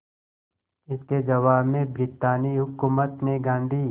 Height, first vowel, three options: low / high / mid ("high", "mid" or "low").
high